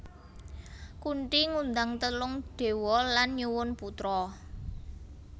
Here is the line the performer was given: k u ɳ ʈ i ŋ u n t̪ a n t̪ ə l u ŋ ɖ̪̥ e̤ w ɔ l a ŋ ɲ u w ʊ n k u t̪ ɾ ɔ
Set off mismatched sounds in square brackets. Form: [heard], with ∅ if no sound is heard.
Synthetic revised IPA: k u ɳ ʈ i ŋ u n [d̪] a [ŋ] t̪ ə l [ʊ] ŋ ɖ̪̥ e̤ w ɔ l a [n] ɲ u w ʊ n [p] u t̪ ɾ ɔ

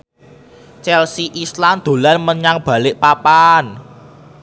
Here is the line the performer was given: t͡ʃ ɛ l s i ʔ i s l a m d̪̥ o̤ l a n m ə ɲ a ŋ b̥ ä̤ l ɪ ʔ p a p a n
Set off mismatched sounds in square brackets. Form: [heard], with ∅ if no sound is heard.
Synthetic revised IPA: t͡ʃ ɛ l s i ʔ i s l a m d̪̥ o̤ l a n m ə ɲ a ŋ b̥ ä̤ l ɪ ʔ p a p a n

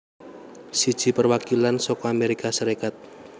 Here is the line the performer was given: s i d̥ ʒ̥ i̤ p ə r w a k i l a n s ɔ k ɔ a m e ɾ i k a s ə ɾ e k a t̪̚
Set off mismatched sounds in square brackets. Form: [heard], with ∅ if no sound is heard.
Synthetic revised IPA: s i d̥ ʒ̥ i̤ p ə r w a k i l a n s ɔ k ɔ a m e ɾ i k a s ə ɾ e k a t̪̚

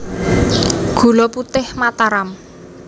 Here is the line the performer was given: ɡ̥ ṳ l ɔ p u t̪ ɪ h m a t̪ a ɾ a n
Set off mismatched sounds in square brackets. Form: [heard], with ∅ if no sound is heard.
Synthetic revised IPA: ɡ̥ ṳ l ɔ p u t̪ ɪ h m a t̪ a ɾ a [m]

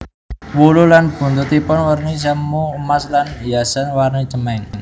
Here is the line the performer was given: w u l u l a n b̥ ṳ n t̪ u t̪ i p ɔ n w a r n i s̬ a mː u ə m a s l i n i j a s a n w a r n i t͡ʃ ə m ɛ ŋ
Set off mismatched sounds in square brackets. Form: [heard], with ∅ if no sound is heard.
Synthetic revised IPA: w u l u l a n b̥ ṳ n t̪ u t̪ i p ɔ n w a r n i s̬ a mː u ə m a s l [a] n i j a s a n w a r n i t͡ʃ ə m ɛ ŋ

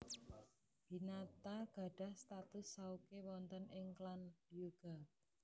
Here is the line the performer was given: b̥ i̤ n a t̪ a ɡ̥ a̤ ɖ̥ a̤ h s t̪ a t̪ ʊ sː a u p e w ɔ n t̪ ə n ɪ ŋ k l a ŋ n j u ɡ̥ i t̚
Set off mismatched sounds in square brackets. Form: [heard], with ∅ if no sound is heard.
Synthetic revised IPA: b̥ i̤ n a t̪ a ɡ̥ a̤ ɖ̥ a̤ h s t̪ a t̪ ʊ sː a u [k] e w ɔ n t̪ ə n ɪ ŋ k l a [∅] n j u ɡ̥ [a] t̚

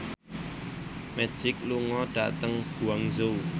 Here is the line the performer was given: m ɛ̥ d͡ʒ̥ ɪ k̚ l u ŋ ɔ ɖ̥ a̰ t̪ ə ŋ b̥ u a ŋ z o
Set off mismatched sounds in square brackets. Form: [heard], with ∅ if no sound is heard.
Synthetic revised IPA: m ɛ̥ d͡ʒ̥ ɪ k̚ l u ŋ ɔ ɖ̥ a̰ t̪ ə ŋ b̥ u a ŋ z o

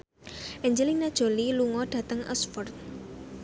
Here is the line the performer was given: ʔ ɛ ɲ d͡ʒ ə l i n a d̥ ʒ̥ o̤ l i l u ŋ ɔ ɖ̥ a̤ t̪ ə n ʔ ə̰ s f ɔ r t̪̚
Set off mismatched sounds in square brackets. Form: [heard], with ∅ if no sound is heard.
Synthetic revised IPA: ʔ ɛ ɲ d͡ʒ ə l i n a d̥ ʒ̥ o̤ l i l u ŋ ɔ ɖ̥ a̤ t̪ ə [ŋ] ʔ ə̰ s f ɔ r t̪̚

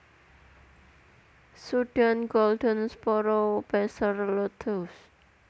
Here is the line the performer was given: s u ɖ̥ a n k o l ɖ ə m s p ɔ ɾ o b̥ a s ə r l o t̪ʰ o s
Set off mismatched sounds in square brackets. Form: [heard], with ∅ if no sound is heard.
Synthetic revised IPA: s u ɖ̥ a n [ɡ] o l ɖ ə [n] s p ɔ ɾ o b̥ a s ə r l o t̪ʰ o s

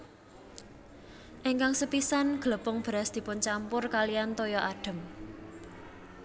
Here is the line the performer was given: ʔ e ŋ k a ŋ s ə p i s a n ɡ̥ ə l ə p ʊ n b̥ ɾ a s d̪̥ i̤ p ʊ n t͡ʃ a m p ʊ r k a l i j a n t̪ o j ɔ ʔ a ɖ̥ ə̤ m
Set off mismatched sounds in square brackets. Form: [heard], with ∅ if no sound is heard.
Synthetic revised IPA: ʔ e ŋ k a ŋ s ə p i s a n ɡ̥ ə l ə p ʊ [ŋ] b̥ ɾ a s d̪̥ i̤ p ʊ n t͡ʃ a m p ʊ r k a l i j a n t̪ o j ɔ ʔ a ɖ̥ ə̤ m

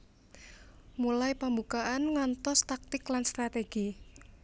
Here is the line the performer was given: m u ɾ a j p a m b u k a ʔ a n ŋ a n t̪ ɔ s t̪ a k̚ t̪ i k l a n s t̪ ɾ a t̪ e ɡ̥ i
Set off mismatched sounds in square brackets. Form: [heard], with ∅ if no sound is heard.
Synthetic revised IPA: m u [l] a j p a m b u k a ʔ a n ŋ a n t̪ ɔ s t̪ a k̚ t̪ [ɪ] k l a n s t̪ ɾ a t̪ e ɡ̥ i

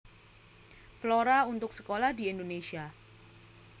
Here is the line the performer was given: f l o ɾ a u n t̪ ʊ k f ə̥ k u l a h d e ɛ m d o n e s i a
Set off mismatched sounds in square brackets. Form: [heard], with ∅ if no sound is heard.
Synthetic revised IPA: f l o ɾ a u n t̪ ʊ k [s] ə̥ k [o] l a h d [i] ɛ [n] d o n e s i a

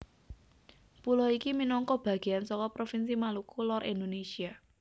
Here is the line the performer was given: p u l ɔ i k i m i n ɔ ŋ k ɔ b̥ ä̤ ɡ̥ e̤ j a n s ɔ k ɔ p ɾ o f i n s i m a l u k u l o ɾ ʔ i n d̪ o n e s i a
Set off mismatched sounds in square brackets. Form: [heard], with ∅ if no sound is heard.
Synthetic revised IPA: p u l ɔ i k i m i n ɔ ŋ k ɔ b̥ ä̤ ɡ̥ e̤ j a n s ɔ k ɔ p ɾ o f i n s i m a l u k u l [ɔ] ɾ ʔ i n d̪ o n e s i a

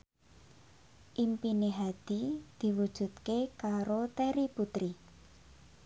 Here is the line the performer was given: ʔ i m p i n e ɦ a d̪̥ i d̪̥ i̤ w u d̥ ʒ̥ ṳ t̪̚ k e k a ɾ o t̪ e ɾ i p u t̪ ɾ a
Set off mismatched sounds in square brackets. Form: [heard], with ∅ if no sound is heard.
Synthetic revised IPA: ʔ i m p i n e ɦ a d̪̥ i d̪̥ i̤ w u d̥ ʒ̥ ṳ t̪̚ k e k a ɾ o t̪ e ɾ i p u t̪ ɾ [i]

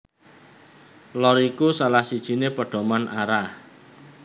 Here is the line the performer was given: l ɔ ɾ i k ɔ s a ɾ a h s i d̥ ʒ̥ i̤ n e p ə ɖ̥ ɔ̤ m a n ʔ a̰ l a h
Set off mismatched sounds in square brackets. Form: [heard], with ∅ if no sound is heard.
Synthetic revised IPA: l ɔ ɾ i k [u] s a [l] a h s i d̥ ʒ̥ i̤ n e p ə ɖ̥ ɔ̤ m a n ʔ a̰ [ɾ] a h

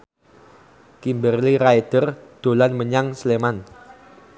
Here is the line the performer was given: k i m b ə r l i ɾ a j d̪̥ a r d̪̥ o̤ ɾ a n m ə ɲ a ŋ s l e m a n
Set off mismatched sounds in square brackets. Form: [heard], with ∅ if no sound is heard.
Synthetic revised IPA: k i m b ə r l i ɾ a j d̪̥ [ə] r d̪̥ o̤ [l] a n m ə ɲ a ŋ s l e m a n

